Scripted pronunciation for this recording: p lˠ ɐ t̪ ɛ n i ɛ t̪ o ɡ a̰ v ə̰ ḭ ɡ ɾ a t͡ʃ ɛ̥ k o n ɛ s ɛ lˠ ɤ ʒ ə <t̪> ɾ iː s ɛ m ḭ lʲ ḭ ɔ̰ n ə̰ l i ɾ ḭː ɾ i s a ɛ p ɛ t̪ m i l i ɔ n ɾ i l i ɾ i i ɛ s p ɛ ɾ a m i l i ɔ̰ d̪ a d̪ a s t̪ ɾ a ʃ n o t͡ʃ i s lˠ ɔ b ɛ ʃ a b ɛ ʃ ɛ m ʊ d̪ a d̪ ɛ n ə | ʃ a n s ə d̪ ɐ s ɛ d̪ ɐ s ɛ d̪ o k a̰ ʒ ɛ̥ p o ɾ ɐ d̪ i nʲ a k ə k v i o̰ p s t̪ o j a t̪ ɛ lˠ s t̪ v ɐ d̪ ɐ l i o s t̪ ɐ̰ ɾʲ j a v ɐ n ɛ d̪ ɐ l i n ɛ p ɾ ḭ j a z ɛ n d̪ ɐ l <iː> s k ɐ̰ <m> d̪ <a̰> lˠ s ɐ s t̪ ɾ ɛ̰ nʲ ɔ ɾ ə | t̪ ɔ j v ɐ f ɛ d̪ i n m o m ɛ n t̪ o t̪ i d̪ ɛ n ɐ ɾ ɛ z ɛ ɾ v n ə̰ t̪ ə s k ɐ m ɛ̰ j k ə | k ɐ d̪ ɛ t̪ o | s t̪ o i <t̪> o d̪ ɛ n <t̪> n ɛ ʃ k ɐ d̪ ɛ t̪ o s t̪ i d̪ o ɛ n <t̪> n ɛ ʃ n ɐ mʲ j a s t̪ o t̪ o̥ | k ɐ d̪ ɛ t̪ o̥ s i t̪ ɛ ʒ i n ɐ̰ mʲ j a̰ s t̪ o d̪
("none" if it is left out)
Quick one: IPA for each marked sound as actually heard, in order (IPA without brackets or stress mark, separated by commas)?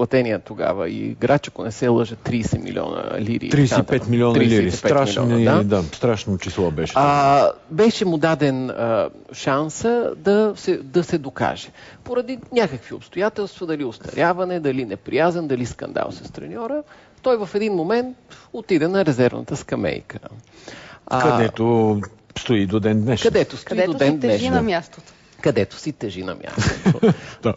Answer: t̪, i, n, a̰, d̪, d̪, d̪